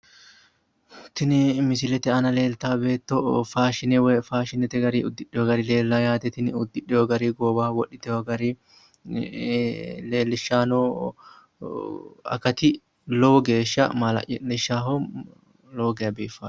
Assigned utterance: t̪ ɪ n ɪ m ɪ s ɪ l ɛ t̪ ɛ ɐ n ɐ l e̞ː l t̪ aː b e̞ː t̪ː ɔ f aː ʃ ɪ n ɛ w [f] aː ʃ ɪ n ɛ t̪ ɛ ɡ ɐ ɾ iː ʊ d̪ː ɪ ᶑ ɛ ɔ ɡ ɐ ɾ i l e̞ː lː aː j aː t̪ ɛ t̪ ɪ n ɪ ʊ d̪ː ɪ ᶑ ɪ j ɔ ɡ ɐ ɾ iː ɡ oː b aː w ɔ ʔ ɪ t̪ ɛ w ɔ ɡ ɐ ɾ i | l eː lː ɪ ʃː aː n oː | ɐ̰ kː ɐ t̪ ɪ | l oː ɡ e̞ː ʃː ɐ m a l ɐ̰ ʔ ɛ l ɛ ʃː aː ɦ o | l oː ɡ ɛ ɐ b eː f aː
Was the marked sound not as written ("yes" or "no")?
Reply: no